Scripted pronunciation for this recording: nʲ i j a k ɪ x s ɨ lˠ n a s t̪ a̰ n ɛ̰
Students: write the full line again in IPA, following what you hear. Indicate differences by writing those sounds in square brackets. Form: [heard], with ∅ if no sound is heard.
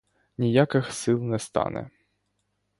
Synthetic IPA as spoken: nʲ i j a k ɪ x s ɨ lˠ n [ɛ] s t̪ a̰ n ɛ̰